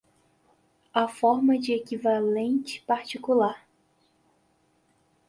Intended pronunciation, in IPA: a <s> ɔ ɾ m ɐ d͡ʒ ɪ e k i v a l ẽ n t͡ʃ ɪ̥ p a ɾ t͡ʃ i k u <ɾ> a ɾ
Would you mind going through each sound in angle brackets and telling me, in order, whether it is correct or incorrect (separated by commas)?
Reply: incorrect, incorrect